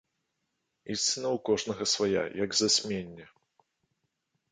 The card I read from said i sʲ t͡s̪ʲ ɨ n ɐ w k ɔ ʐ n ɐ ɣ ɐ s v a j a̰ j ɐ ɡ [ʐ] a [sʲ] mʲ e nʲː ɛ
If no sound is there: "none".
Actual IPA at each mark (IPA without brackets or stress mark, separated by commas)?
z, sʲ